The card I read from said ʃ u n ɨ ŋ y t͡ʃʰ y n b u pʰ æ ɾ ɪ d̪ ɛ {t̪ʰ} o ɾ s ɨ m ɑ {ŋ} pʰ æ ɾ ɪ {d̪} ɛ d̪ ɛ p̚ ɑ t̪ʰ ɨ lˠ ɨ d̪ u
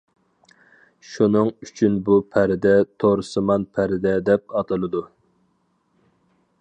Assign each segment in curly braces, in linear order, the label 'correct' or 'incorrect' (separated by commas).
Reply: correct, incorrect, correct